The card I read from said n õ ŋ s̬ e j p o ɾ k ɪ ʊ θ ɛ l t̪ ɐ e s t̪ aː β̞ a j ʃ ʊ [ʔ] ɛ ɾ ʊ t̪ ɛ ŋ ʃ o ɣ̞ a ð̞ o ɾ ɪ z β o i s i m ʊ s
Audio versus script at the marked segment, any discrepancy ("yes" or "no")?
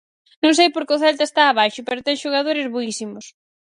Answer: yes